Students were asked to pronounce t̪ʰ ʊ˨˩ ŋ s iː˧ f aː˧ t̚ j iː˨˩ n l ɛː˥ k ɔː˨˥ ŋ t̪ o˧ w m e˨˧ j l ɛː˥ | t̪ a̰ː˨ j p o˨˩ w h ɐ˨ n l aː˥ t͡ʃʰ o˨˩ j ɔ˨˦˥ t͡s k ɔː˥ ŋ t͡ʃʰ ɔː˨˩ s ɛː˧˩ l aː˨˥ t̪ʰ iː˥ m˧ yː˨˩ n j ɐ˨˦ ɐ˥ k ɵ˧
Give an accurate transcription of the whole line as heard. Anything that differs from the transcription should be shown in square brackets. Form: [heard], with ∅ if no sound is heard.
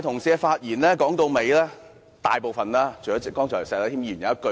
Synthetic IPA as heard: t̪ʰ ʊ˨˩ ŋ s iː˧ f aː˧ t̚ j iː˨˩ n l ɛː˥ k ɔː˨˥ ŋ t̪ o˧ w m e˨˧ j l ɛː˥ | t̪ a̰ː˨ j p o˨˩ w [f] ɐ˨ n l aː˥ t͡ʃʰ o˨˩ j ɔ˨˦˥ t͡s k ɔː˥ ŋ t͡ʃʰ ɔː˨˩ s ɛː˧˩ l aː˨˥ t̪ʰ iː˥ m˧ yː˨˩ n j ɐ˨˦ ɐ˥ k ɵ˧

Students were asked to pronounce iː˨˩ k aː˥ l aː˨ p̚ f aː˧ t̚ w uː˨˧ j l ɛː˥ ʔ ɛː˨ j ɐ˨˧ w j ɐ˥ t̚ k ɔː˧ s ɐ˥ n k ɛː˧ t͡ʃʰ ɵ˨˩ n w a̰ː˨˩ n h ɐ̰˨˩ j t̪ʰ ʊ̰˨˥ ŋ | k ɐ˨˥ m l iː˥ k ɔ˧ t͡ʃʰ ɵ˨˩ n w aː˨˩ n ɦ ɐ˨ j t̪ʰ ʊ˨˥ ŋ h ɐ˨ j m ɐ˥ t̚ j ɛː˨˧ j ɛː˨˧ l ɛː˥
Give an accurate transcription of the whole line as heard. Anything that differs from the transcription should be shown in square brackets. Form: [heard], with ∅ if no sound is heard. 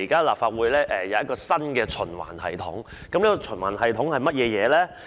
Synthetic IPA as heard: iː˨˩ k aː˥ l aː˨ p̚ f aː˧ t̚ w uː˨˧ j l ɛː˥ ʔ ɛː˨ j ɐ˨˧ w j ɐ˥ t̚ k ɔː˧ s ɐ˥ n k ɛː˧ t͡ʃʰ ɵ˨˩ n w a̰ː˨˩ n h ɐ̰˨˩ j t̪ʰ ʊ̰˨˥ ŋ | k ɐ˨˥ m l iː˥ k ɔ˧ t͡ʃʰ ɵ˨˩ n w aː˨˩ n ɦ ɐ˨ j t̪ʰ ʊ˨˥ ŋ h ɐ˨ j m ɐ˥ t̚ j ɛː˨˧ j ɛː˨˧ l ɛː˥

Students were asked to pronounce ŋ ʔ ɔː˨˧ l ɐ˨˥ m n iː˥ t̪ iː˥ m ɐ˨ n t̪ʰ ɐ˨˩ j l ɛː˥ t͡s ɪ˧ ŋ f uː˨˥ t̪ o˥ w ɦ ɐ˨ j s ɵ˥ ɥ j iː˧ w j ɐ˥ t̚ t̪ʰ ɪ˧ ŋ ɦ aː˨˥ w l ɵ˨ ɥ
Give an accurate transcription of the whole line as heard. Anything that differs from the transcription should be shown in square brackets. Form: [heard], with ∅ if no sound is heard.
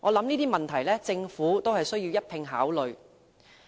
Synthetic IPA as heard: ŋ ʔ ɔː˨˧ l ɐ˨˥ m n iː˥ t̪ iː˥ m ɐ˨ n t̪ʰ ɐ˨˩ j l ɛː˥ t͡s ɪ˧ ŋ f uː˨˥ t̪ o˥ w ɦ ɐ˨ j s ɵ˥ ɥ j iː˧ w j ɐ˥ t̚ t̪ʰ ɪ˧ ŋ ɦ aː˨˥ w l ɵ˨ ɥ

